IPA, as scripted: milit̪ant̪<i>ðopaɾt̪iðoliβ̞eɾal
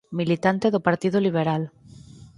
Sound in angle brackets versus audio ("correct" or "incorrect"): incorrect